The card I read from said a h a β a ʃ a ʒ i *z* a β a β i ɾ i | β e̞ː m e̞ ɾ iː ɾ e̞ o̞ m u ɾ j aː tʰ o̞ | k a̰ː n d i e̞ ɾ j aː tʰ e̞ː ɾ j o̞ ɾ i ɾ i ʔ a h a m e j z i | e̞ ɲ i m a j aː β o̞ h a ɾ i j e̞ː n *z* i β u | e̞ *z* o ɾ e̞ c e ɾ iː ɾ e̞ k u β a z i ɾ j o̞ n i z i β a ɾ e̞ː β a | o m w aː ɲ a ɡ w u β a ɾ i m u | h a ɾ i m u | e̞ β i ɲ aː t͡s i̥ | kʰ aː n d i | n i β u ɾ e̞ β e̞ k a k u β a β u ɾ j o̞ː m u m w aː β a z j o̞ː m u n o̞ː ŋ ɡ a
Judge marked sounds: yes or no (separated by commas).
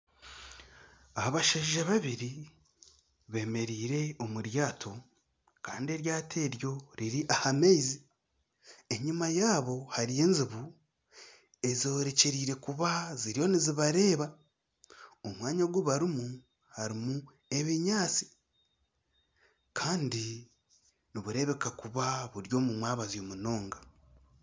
no, yes, yes